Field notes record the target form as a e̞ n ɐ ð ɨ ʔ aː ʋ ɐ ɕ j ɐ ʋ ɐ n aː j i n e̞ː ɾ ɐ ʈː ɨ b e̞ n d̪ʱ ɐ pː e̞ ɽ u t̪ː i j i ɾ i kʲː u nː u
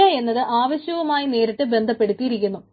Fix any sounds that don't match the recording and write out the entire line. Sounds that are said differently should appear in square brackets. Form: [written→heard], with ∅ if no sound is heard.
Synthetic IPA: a e̞ [n→nː] ɐ ð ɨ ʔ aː ʋ ɐ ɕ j ɐ ʋ ɐ [n→m] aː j i n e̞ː ɾ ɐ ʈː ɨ b e̞ n d̪ʱ ɐ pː e̞ ɽ u t̪ː i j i ɾ i kʲː u nː u